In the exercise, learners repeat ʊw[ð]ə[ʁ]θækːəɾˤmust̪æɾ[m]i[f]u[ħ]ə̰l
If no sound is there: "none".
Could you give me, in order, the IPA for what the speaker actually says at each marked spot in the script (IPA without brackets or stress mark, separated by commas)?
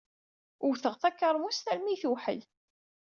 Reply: θ, ʁ, m, θ, ħ